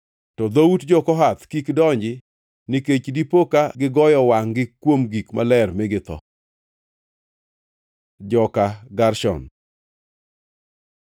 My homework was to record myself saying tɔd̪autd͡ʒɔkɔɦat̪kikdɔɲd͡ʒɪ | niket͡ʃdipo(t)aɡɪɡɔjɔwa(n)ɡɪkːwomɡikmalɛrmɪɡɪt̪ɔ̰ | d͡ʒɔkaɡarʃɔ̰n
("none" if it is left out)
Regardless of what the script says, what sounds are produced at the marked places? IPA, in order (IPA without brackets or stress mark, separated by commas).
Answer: k, ŋ